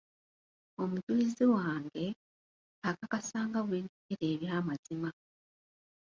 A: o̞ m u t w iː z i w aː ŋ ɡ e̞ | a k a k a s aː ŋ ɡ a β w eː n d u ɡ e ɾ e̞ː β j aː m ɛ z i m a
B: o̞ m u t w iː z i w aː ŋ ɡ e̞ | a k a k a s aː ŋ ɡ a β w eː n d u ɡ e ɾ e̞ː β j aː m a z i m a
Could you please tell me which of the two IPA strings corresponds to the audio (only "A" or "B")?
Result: B